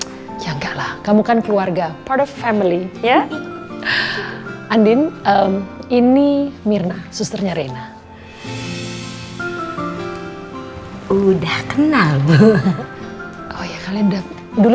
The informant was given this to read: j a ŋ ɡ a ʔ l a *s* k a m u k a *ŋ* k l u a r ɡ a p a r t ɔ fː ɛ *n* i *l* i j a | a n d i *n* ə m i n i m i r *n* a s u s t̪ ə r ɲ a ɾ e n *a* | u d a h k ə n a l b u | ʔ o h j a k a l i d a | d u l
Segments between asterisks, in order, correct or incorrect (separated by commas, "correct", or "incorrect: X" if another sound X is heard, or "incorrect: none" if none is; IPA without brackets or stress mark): incorrect: h, incorrect: n, incorrect: m, correct, correct, correct, correct